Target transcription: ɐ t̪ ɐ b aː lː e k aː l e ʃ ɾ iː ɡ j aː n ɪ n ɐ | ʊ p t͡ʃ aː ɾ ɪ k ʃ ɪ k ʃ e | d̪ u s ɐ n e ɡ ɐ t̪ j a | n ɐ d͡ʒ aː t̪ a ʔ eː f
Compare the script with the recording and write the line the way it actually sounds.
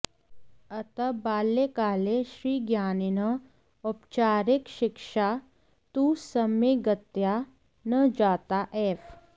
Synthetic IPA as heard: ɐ t̪ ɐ b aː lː e k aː l e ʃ ɾ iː ɡ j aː n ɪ n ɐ | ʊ p t͡ʃ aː ɾ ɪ k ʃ ɪ k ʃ a | t̪ u s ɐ m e ɡ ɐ t̪ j a | n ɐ d͡ʒ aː t̪ a ʔ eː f